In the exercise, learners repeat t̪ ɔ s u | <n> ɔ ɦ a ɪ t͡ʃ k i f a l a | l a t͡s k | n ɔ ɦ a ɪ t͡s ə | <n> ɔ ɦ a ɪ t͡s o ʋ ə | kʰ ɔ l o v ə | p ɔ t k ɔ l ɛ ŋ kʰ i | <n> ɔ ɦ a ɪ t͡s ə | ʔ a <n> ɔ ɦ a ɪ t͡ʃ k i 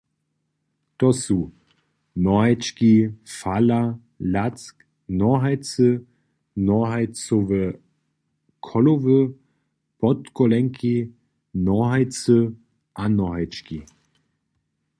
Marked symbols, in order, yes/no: yes, yes, yes, yes

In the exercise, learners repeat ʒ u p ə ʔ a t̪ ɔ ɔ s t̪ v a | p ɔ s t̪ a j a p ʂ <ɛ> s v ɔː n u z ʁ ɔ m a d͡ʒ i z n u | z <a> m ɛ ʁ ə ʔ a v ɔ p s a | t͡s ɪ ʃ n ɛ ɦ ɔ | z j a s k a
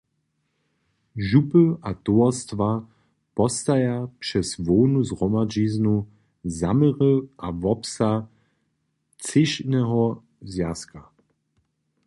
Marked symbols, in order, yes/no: yes, yes

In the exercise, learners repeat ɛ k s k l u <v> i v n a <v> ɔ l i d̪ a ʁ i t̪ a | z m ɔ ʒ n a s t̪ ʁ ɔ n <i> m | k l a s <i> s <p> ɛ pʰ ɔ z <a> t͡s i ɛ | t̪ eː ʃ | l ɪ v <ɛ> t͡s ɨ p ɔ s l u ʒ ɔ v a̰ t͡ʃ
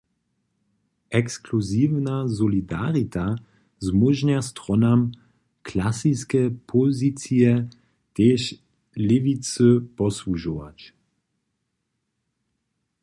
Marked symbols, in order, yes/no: no, no, no, yes, no, no, no

